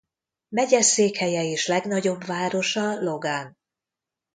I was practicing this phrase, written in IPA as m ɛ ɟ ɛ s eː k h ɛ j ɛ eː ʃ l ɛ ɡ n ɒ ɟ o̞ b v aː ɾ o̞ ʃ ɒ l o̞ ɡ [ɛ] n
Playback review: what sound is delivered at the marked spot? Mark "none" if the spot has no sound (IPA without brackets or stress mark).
a